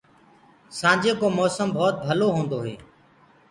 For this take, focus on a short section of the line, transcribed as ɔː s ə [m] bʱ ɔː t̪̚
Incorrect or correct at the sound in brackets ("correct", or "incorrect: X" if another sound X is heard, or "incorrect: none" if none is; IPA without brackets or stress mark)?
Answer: correct